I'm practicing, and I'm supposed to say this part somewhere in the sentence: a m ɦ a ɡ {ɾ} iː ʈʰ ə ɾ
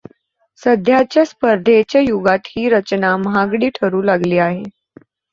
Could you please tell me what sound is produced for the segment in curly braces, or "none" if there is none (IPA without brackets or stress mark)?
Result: ɽ